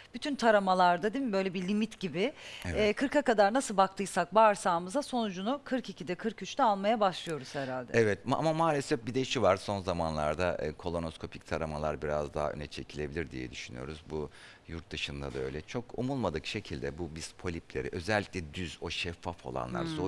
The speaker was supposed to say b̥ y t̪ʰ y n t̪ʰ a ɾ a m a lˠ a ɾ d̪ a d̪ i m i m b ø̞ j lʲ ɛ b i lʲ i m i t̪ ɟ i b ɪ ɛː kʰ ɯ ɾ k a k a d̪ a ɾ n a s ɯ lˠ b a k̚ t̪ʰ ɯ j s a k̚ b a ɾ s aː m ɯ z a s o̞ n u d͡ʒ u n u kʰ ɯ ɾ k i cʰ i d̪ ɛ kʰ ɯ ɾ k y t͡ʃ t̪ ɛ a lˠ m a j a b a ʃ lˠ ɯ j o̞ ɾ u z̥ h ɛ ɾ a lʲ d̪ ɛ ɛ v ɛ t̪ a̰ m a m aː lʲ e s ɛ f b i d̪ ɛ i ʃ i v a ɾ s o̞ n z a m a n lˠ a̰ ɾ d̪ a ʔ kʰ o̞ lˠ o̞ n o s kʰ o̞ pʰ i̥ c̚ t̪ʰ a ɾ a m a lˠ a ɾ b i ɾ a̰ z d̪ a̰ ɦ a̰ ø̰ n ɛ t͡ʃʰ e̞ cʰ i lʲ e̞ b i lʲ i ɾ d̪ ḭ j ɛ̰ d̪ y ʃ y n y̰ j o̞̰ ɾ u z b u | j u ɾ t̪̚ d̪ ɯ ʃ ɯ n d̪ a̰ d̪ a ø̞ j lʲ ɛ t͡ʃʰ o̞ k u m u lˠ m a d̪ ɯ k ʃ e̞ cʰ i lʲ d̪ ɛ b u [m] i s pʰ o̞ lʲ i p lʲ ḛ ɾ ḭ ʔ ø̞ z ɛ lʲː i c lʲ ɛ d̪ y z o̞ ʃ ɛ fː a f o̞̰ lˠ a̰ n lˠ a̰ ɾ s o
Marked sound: incorrect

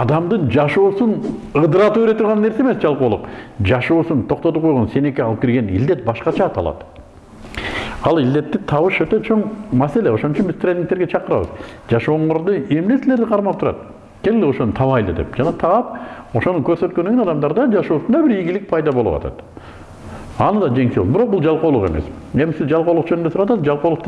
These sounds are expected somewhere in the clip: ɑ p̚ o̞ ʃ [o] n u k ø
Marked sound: correct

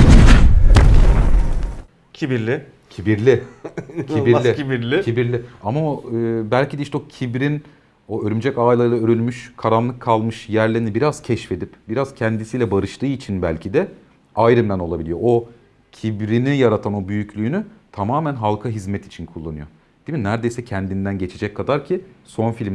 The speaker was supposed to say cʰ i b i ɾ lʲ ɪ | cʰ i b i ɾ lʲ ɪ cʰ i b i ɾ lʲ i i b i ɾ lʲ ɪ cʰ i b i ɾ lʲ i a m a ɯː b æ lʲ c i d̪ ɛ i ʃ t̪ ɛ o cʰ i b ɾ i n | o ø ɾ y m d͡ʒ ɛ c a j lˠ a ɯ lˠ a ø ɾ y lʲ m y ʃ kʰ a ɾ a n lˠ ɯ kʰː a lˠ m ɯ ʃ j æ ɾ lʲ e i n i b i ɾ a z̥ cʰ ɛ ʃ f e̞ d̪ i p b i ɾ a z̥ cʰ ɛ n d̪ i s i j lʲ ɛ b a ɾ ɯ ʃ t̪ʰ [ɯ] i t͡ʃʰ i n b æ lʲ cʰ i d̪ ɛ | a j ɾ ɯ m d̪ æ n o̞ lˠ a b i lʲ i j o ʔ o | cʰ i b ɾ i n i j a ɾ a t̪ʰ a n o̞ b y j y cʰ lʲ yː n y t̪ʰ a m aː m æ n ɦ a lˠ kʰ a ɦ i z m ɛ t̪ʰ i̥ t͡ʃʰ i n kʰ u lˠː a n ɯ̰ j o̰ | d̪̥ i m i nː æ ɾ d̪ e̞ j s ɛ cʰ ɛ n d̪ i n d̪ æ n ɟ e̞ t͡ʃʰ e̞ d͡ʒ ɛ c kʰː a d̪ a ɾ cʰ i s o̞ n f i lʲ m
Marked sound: incorrect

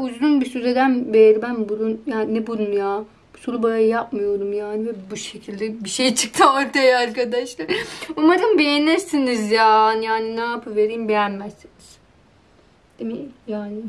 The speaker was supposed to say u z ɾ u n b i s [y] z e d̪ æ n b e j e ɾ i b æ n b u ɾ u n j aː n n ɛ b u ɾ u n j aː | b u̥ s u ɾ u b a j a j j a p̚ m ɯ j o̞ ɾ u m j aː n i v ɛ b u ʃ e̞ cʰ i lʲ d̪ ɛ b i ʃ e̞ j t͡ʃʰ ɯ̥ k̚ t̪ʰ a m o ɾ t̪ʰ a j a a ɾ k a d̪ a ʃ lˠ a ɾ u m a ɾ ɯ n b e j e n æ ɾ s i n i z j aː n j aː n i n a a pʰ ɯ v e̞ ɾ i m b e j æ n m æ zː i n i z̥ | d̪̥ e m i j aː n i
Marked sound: correct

